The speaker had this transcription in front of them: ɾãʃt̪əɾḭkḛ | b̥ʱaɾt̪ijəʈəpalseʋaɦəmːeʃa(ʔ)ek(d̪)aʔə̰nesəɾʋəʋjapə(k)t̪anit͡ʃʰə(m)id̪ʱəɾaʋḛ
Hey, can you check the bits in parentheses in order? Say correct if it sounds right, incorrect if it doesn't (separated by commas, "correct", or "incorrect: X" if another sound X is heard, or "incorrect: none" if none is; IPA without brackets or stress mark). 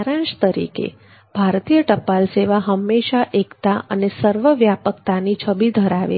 correct, incorrect: t̪, correct, incorrect: b